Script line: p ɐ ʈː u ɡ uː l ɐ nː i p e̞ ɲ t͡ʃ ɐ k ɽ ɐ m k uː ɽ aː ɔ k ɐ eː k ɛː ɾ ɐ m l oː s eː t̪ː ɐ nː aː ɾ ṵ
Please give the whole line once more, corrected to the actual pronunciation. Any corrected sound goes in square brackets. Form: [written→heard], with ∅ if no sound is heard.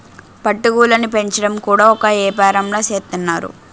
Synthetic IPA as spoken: p ɐ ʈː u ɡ uː l ɐ [nː→n] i p e̞ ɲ t͡ʃ ɐ [k→∅] ɽ ɐ m k uː ɽ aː ɔ k ɐ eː [k→p] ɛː ɾ ɐ m l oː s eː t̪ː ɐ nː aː ɾ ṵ